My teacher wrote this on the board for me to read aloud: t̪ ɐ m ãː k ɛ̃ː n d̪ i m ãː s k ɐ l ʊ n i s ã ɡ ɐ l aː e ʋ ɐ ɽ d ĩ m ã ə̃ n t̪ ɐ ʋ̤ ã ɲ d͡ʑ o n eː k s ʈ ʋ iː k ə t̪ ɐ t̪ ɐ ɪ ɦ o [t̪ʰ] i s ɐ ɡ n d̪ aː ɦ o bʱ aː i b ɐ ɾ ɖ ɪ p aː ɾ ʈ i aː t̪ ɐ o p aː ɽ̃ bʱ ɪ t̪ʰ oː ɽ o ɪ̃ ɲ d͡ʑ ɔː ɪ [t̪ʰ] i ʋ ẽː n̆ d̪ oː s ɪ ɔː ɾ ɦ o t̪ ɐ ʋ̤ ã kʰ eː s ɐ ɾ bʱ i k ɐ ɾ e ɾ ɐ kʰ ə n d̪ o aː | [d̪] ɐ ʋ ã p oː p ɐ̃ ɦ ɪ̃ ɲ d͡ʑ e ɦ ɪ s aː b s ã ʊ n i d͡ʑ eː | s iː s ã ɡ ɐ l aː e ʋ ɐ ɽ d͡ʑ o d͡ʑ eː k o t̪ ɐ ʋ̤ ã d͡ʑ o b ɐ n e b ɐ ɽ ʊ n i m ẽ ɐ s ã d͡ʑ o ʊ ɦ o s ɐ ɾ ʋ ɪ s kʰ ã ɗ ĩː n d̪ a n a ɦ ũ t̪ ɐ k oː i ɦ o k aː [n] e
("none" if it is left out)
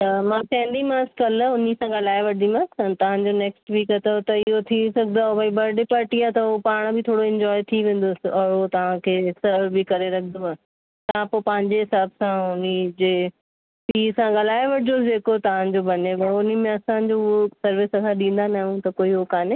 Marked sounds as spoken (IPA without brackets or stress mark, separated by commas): t̪ʰ, t̪ʰ, t̪, n